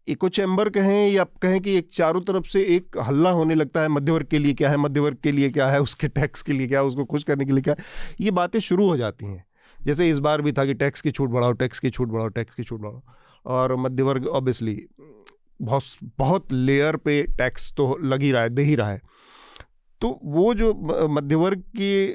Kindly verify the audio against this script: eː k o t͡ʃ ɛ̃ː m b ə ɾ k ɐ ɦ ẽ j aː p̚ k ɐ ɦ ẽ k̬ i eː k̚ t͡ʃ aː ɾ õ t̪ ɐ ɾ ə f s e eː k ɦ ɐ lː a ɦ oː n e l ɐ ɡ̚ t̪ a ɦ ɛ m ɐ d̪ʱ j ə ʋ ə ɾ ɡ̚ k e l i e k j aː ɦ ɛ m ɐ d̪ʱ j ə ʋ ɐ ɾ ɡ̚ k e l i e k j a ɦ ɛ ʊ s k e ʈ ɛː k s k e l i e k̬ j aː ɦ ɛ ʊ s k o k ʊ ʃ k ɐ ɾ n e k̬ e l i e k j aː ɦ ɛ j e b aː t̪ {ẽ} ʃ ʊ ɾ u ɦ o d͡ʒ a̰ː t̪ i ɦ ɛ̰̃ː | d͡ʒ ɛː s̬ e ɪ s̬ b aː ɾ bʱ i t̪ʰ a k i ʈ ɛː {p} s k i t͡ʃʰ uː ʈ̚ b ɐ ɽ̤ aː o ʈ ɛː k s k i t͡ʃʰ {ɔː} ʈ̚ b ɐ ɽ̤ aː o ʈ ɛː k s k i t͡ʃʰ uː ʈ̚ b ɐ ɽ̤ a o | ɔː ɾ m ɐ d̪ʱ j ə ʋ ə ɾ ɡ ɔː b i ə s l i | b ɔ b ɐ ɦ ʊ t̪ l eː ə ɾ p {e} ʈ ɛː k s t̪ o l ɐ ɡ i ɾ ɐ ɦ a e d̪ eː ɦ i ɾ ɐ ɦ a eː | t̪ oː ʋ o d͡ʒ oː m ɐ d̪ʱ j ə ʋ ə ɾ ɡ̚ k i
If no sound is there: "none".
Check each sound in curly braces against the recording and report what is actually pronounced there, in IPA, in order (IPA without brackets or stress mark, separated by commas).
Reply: ẽ, k, uː, e